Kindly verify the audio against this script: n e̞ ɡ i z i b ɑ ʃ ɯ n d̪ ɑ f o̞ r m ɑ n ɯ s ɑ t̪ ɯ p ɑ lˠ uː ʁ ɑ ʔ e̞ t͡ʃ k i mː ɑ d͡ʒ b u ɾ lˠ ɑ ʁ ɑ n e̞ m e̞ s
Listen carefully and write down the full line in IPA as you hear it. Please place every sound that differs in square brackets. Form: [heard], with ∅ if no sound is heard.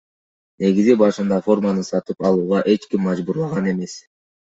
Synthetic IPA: n e̞ ɡ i z i b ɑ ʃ ɯ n d̪ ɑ f o̞ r m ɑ n ɯ s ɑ t̪ ɯ p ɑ lˠ uː ʁ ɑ ʔ e̞ t͡ʃ k i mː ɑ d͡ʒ b u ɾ lˠ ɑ ʁ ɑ n e̞ m e̞ s